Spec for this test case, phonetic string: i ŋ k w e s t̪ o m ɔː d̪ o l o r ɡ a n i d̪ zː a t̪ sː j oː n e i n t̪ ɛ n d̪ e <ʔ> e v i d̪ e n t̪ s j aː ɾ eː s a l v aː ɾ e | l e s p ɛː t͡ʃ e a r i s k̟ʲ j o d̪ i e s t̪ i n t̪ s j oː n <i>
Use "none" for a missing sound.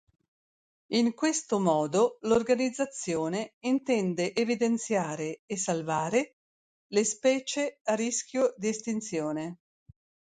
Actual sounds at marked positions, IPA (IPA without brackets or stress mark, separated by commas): ʔ, e